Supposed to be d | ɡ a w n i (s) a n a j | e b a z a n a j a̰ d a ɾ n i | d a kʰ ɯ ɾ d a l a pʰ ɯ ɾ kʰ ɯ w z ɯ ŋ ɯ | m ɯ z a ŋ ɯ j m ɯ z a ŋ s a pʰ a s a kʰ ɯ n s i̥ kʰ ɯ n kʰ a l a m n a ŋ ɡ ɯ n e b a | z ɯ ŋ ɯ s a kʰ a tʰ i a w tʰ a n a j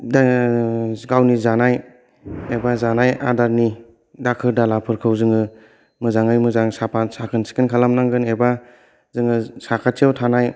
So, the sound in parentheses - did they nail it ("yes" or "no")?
no